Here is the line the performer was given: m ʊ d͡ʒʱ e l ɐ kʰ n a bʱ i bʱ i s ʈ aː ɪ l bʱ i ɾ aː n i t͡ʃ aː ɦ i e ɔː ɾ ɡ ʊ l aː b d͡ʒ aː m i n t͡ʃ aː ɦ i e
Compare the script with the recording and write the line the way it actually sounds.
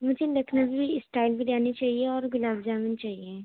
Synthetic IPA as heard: m ʊ d͡ʒʱ e l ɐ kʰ n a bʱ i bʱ i s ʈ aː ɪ l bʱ i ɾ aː n i t͡ʃ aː ɦ i e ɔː ɾ ɡ ʊ l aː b d͡ʒ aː m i n t͡ʃ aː ɦ i e